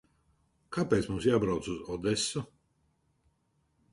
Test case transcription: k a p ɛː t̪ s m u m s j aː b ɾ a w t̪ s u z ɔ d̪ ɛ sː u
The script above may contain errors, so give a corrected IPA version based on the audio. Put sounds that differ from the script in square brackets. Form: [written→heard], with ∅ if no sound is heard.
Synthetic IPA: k a p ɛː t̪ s m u m s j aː b ɾ a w t̪ s u z ɔ d̪ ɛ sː u